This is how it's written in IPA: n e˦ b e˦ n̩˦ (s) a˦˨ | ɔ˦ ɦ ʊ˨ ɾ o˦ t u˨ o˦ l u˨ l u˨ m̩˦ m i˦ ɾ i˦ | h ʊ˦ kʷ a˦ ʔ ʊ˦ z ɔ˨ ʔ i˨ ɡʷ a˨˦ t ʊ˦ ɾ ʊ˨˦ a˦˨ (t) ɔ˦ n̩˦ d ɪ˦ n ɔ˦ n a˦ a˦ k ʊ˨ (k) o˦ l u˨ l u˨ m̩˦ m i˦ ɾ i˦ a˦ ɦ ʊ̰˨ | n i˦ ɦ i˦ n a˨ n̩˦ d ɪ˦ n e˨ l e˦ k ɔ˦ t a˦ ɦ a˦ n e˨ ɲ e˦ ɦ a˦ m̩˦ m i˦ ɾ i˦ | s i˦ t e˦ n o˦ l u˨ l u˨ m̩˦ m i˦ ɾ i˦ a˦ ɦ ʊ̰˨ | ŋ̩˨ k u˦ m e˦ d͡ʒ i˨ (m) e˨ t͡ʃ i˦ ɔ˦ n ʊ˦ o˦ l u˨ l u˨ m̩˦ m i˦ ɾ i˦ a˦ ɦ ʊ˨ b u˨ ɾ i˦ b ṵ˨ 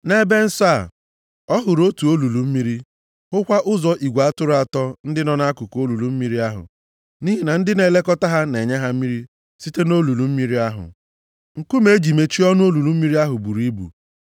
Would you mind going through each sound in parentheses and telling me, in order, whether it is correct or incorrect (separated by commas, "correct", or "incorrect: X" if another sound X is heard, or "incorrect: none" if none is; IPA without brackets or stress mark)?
correct, correct, correct, correct